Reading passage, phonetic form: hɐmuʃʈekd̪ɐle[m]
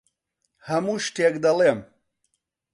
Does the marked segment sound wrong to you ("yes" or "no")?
no